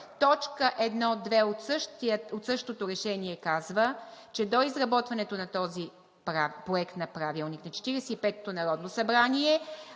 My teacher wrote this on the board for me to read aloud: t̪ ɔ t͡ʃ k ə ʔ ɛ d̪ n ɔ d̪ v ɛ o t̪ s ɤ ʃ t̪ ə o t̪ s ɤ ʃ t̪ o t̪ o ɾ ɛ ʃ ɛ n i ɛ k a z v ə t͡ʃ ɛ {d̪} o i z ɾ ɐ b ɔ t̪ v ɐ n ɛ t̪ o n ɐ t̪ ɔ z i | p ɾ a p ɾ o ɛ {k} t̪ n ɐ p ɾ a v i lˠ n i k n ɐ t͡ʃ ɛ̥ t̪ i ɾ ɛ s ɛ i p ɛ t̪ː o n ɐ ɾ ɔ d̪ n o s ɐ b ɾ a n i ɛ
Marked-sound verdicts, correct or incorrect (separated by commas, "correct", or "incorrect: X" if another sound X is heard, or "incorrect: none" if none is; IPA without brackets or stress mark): correct, correct